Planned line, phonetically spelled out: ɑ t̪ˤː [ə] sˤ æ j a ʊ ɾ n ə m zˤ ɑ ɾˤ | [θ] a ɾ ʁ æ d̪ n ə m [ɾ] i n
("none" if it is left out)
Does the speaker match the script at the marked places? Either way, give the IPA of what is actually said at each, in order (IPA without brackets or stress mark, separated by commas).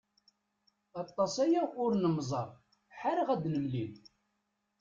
ɑ, ħ, l